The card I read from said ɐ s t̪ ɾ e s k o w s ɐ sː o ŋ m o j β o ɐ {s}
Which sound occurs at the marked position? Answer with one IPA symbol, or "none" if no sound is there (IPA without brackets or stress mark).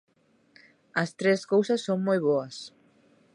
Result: s